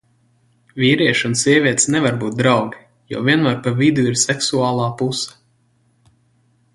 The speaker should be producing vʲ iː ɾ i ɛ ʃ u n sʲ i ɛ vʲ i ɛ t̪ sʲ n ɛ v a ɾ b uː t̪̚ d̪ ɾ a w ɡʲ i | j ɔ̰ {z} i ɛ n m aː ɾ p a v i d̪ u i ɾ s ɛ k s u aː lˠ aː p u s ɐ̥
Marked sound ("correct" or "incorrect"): incorrect